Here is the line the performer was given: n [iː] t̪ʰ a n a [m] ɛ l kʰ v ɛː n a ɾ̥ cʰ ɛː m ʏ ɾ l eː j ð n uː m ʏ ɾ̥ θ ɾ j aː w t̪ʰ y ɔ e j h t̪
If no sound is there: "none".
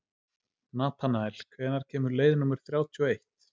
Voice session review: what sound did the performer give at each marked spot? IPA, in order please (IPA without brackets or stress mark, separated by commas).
aː, none